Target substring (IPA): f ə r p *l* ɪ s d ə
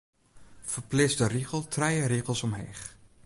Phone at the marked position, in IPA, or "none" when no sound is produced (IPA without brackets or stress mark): l